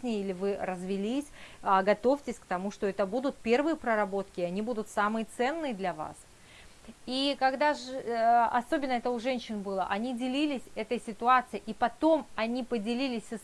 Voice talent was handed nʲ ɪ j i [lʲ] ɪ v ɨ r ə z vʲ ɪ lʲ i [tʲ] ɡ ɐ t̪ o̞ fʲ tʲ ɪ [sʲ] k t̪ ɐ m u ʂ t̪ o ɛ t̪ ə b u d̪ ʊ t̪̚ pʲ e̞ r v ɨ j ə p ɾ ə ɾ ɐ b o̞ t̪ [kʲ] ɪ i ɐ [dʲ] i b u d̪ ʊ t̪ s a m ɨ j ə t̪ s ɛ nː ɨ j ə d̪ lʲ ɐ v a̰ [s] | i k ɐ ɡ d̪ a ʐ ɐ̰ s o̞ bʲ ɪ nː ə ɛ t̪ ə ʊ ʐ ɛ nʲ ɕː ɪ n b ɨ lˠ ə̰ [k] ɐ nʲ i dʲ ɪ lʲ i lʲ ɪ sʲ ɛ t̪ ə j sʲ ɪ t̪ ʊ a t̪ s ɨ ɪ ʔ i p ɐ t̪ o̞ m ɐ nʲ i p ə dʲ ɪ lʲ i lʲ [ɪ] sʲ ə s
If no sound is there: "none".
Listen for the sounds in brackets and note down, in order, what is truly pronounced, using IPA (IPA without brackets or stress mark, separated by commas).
lʲ, sʲ, sʲ, kʲ, nʲ, s, ʔ, ɪ